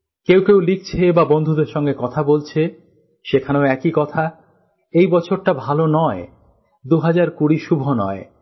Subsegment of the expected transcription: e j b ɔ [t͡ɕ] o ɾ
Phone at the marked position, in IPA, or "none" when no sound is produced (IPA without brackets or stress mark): t͡ɕʰ